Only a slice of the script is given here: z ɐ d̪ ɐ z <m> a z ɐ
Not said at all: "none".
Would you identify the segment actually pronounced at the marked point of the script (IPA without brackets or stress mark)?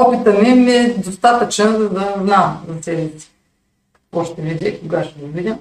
n